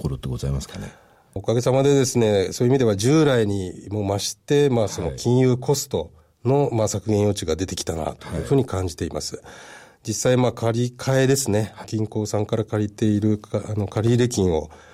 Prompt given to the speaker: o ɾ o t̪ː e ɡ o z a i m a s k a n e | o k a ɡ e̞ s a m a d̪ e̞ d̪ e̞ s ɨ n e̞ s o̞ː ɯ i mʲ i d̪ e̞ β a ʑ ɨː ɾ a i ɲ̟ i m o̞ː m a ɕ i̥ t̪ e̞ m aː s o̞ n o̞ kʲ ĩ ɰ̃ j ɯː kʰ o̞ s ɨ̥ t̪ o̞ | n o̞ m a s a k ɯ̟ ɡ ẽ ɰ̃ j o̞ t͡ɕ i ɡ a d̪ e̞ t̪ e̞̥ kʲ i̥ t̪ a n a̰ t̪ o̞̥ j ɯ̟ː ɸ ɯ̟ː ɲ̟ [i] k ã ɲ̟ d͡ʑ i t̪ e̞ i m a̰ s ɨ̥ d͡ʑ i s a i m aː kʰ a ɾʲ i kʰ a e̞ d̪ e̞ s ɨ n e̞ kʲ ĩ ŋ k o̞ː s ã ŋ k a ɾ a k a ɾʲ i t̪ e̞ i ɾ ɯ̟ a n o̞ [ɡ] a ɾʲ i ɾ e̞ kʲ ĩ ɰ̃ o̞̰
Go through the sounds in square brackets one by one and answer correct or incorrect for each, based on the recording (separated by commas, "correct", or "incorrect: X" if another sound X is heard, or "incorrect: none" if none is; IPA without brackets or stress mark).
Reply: correct, incorrect: k